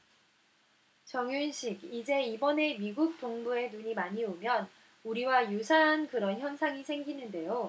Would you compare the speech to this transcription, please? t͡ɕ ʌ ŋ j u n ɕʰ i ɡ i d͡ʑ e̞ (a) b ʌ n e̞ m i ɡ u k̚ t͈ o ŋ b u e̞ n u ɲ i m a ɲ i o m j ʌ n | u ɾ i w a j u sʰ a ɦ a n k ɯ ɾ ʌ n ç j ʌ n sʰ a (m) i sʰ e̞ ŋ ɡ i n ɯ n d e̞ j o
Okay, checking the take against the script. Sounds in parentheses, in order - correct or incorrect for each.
incorrect, incorrect

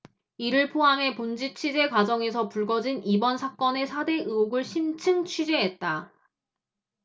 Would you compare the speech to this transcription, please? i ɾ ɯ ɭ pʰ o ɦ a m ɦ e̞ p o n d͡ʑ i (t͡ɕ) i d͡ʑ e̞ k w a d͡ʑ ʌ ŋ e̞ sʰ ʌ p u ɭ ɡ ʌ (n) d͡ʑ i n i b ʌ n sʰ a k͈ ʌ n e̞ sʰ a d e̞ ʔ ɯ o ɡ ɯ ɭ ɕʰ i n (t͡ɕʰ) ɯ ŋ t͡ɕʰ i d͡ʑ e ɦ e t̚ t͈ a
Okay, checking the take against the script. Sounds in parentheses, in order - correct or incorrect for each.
incorrect, incorrect, correct

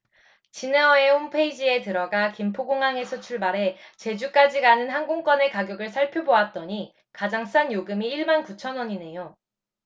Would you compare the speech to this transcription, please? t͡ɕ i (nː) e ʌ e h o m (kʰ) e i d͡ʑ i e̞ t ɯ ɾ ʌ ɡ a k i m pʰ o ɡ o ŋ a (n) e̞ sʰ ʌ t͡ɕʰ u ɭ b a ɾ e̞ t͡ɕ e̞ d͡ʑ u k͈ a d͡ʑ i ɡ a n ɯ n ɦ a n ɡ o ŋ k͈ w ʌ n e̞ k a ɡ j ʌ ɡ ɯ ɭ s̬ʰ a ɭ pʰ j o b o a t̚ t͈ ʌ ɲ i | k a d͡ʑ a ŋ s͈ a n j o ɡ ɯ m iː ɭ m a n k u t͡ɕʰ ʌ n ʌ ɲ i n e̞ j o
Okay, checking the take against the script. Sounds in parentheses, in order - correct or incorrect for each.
incorrect, incorrect, incorrect

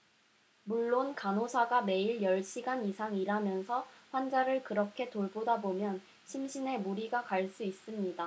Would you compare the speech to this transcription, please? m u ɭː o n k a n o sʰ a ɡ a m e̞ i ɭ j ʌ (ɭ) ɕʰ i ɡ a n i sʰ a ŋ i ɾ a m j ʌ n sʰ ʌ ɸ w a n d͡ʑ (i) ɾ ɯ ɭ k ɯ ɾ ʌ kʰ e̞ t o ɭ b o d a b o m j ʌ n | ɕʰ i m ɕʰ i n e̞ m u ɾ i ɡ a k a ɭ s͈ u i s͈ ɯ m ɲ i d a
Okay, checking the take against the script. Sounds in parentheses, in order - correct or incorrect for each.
correct, incorrect

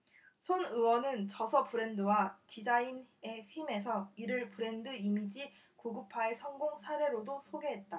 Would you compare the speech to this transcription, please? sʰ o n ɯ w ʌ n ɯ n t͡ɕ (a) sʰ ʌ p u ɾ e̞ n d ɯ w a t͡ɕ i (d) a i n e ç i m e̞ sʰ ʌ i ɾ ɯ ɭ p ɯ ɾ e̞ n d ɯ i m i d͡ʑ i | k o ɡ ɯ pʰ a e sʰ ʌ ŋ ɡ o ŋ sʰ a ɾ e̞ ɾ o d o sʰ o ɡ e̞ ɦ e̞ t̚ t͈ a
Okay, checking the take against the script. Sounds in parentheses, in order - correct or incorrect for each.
incorrect, incorrect

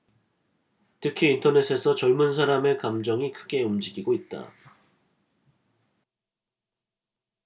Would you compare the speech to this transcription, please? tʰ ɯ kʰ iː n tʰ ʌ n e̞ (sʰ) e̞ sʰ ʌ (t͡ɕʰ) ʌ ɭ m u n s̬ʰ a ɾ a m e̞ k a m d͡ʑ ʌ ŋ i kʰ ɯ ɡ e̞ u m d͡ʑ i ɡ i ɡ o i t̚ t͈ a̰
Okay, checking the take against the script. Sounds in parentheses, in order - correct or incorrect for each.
correct, incorrect

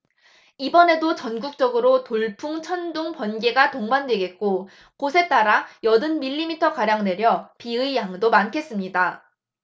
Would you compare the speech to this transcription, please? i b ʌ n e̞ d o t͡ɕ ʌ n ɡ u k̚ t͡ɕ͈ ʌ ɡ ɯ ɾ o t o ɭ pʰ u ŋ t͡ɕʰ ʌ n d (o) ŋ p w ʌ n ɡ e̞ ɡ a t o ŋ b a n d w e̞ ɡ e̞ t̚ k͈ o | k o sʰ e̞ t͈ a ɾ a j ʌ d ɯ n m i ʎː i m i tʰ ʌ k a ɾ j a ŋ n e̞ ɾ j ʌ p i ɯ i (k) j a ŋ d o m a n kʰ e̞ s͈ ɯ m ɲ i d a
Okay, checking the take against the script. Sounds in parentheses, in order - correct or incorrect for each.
incorrect, incorrect

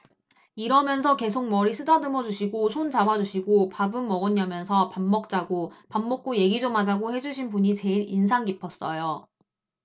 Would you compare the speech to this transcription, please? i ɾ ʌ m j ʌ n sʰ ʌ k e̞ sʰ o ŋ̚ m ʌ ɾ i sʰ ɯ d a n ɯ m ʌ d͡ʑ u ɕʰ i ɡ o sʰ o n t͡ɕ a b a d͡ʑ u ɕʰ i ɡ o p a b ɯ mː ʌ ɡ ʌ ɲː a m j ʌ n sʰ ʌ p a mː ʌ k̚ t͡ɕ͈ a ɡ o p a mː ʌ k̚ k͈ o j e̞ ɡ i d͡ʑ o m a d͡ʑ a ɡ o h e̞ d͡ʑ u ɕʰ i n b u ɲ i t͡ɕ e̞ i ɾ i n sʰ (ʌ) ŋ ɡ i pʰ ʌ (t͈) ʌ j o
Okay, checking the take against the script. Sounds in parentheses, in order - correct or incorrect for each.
incorrect, incorrect

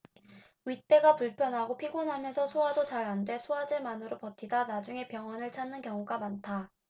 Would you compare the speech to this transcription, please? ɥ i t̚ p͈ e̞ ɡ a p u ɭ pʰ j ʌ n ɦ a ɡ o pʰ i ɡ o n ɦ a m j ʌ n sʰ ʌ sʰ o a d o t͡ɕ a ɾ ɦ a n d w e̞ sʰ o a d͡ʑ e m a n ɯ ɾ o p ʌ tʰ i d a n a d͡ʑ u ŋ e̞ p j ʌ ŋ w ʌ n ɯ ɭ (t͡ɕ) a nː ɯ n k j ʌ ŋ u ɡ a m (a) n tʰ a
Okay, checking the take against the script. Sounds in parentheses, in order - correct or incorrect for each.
incorrect, correct

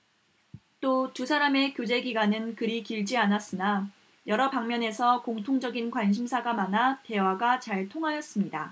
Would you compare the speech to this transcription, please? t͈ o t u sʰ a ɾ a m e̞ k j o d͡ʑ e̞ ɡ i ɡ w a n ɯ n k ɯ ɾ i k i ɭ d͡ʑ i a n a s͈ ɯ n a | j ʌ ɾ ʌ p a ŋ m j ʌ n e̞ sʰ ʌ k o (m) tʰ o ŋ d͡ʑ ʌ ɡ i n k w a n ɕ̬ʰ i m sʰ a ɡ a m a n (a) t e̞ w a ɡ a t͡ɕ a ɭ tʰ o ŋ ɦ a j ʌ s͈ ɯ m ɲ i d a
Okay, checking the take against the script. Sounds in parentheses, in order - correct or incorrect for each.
incorrect, correct

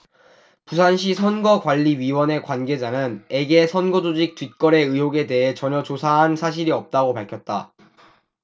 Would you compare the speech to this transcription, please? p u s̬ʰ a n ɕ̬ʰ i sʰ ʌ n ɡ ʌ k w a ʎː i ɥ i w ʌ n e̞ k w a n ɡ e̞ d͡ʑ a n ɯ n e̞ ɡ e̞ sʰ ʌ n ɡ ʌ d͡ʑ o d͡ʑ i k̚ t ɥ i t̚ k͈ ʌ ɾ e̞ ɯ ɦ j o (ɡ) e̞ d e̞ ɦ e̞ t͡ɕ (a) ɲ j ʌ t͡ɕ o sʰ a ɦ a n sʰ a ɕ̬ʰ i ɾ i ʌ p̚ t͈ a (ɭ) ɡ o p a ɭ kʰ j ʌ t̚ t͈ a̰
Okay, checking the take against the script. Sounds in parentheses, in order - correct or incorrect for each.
correct, incorrect, incorrect

